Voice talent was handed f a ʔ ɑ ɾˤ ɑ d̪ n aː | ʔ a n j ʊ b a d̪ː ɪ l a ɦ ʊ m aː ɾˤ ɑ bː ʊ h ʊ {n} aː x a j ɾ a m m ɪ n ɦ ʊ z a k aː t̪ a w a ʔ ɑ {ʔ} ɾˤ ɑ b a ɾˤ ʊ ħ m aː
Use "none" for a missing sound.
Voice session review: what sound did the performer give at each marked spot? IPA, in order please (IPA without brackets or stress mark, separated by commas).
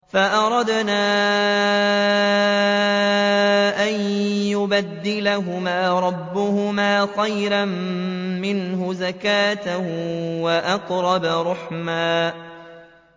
m, q